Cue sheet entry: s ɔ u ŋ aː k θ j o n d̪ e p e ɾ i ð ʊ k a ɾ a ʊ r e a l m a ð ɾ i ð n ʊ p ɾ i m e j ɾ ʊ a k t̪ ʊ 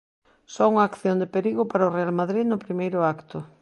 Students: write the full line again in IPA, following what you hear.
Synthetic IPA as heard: s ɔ u ŋ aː k θ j o n d̪ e p e ɾ i ɣ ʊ p a ɾ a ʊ r e a l m a ð ɾ i ð n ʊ p ɾ i m e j ɾ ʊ a k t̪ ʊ